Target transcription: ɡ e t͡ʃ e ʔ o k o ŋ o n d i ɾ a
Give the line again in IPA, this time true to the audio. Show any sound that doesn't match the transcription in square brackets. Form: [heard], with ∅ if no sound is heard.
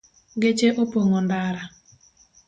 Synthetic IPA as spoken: ɡ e t͡ʃ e ʔ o [p] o ŋ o n d [a] ɾ a